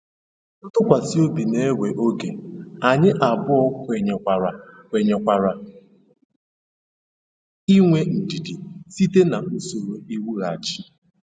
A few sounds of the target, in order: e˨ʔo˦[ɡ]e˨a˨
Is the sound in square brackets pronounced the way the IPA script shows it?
yes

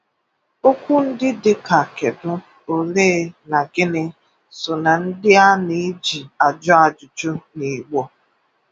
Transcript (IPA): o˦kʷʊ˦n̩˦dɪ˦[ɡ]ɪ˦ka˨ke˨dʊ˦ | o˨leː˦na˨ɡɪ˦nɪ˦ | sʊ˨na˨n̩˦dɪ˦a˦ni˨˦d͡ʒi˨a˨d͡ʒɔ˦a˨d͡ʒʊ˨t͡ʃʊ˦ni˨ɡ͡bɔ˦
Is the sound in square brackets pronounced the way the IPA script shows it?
no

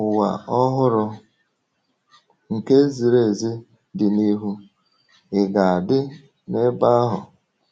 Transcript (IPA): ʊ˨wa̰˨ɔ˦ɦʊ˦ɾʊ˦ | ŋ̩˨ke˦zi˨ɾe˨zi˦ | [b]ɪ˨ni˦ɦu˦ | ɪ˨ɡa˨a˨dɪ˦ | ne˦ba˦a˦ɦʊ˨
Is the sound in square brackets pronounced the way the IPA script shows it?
no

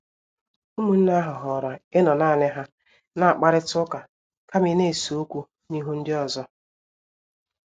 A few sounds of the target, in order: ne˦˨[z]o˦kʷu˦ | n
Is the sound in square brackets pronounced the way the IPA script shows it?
no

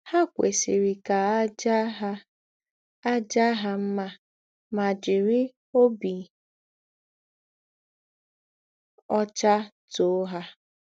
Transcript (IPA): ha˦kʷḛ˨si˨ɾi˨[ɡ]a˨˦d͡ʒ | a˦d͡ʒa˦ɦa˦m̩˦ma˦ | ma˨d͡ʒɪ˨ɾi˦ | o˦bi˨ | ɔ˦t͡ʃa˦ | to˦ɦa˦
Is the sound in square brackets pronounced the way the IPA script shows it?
no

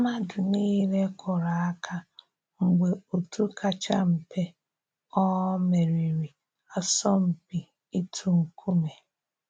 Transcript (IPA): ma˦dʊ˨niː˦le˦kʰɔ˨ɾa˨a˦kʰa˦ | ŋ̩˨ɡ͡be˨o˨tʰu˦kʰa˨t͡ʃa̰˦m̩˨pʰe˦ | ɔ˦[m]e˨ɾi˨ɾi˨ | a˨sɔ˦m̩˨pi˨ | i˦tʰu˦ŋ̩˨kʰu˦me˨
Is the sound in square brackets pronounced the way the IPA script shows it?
yes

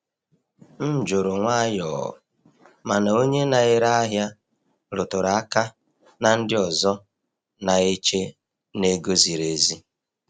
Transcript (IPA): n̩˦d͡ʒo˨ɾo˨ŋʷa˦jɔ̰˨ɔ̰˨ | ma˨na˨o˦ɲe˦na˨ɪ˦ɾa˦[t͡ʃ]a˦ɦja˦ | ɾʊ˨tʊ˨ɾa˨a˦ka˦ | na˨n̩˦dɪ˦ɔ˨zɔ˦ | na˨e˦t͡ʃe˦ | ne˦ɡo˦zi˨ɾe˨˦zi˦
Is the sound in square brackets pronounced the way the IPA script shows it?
no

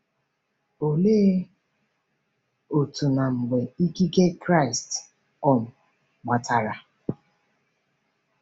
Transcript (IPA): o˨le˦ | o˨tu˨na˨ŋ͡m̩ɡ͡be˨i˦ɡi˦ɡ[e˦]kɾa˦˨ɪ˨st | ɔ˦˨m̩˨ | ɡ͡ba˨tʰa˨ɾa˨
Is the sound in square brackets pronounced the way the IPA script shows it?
yes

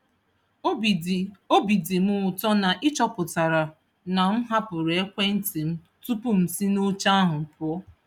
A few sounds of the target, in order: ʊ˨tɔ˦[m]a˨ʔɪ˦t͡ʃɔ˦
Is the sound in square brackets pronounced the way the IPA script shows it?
no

